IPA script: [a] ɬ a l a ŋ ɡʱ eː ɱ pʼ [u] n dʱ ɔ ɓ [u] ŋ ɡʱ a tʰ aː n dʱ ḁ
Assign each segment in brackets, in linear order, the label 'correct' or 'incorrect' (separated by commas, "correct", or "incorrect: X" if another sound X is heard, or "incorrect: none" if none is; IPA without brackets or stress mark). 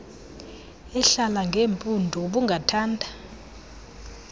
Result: incorrect: ɛ, correct, correct